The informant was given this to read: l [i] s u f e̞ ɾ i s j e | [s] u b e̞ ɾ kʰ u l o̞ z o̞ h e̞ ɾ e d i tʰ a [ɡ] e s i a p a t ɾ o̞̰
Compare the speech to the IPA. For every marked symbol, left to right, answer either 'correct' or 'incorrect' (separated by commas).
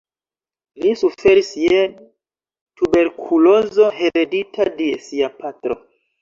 correct, incorrect, incorrect